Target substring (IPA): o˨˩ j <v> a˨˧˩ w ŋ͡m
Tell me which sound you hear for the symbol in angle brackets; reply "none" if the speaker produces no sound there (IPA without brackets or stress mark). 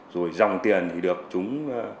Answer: z